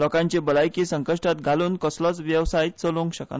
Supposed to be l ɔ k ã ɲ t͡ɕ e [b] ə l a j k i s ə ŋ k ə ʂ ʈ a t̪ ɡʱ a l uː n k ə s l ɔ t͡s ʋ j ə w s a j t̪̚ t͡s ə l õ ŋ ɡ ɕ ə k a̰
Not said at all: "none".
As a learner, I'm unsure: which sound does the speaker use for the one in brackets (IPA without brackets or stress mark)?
b